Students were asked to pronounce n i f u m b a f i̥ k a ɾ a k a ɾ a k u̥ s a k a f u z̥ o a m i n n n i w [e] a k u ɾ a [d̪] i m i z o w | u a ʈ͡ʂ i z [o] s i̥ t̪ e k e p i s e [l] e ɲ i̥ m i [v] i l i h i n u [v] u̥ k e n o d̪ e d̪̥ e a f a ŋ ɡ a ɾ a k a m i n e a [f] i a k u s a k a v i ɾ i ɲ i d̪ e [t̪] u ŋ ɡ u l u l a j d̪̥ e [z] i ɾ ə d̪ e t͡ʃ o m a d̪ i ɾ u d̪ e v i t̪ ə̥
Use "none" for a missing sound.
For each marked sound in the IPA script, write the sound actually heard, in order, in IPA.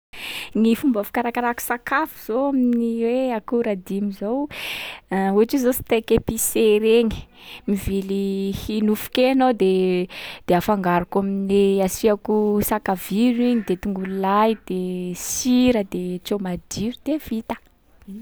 e, d̪, o, ɾ, v, f, s, t̪, s

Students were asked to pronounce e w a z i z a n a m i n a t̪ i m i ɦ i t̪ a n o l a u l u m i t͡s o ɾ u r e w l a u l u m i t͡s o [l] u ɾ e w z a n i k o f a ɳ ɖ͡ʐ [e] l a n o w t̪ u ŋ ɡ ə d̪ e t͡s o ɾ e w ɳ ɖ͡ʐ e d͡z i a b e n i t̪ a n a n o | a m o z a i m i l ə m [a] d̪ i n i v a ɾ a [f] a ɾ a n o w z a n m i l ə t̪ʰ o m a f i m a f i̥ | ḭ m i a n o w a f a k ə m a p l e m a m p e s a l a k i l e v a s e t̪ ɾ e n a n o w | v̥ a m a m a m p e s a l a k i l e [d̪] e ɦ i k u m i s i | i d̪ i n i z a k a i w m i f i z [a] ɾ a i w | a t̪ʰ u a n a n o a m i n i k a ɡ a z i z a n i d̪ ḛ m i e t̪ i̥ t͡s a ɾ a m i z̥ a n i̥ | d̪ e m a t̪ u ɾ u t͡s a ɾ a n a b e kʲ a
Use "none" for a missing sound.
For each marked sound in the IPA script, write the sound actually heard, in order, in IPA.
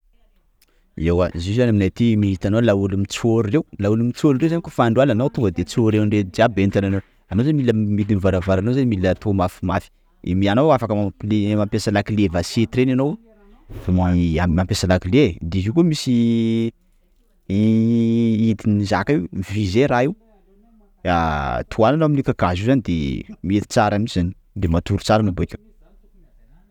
ɾ, a, i, v, d̪, e

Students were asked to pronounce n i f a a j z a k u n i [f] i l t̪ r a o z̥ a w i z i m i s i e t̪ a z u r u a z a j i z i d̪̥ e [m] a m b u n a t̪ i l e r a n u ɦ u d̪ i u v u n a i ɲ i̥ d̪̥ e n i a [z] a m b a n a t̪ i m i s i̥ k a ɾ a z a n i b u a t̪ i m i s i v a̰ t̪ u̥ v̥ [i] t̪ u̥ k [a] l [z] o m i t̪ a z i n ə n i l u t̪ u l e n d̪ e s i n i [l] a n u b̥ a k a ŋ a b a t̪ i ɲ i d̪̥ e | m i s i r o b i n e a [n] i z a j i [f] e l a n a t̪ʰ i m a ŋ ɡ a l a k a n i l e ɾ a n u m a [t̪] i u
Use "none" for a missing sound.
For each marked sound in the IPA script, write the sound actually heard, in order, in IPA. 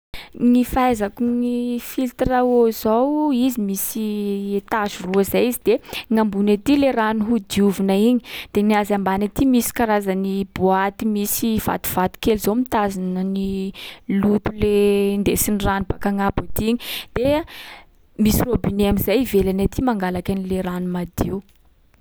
f, ŋ, z, a, e, z, r, m, v, d̪

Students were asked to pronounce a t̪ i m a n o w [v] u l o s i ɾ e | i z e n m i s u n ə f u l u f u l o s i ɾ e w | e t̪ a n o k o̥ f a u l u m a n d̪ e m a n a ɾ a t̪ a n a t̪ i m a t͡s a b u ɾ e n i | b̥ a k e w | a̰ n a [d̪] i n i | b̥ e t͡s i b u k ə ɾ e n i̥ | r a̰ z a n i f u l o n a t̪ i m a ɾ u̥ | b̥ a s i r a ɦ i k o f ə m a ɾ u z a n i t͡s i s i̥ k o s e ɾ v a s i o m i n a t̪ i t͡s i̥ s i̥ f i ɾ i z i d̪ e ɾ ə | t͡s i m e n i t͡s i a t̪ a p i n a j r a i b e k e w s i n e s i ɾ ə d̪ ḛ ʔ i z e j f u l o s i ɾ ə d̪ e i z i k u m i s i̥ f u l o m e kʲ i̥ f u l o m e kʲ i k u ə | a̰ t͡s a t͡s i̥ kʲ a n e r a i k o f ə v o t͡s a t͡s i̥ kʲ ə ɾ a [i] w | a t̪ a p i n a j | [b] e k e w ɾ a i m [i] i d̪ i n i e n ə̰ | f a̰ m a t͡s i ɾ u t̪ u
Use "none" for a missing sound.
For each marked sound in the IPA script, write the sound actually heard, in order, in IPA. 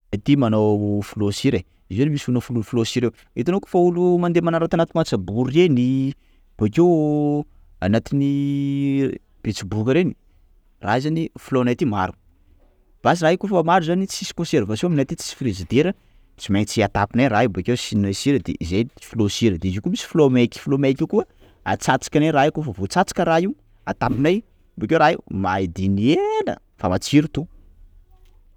f, t̪, i, b, a

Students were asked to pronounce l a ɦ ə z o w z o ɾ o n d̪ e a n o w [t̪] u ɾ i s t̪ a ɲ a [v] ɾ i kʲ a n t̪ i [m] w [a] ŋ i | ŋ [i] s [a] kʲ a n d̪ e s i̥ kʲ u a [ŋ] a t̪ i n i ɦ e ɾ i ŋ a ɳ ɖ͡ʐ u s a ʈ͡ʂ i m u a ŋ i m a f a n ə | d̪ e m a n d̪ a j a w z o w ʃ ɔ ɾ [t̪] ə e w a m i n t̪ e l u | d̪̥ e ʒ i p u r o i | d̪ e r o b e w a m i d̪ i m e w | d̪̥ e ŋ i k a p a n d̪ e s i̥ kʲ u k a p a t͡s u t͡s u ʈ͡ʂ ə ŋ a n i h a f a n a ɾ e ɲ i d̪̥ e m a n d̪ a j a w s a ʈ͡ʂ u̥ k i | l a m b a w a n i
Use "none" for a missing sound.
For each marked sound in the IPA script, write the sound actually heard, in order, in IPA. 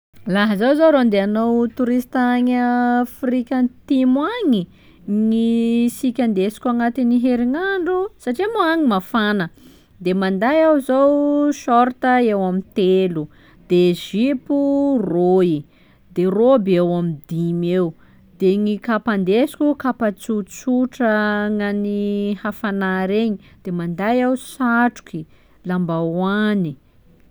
t̪, f, m, a, i, i, ŋ, t̪

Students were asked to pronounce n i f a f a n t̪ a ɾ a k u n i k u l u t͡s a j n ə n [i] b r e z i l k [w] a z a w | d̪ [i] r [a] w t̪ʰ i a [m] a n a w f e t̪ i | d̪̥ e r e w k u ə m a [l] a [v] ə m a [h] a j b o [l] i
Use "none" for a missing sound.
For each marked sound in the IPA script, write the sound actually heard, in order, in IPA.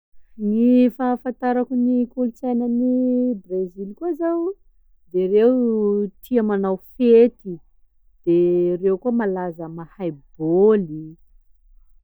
i, u, e, e, m, l, z, h, l

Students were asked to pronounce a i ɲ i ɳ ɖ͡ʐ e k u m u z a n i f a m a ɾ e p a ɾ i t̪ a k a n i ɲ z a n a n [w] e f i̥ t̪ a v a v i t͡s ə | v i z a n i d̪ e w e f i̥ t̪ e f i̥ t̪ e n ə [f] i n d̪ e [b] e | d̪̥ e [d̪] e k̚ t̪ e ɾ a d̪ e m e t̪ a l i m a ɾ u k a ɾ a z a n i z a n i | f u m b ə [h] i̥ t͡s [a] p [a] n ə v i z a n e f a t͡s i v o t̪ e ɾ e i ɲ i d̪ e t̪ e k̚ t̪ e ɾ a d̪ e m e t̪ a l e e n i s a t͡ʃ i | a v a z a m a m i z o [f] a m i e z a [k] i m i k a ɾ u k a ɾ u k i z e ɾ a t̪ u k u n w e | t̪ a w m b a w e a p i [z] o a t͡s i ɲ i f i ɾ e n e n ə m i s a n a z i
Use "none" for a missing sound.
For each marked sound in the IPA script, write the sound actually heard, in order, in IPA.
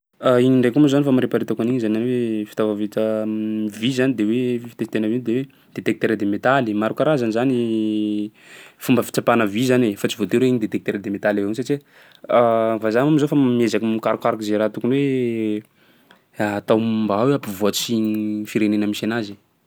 w, v, w, t̪, f, a, a, f, k, v

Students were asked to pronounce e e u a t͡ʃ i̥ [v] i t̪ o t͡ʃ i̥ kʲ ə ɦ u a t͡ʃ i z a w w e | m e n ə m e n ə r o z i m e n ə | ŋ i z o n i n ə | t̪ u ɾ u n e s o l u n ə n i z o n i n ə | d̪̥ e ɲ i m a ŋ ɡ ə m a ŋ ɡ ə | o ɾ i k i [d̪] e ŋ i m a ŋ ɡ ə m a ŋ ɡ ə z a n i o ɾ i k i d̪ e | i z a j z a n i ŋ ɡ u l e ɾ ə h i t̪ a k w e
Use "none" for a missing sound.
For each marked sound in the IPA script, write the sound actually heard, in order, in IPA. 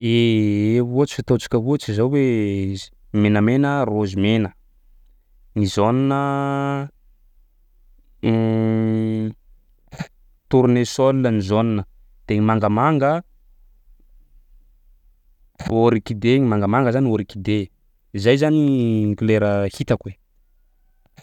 f, d̪

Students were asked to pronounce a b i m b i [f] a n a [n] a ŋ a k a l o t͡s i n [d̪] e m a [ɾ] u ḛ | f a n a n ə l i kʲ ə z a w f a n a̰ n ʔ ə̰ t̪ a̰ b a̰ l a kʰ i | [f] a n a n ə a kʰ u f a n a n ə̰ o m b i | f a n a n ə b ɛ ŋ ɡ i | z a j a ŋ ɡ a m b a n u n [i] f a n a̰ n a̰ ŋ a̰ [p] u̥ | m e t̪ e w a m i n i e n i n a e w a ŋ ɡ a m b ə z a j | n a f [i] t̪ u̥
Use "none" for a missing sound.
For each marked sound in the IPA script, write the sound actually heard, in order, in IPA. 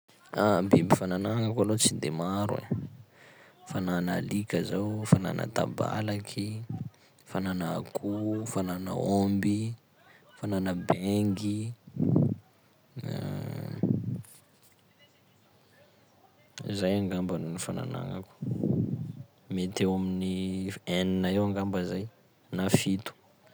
f, n, d̪, ɾ, f, i, k, i

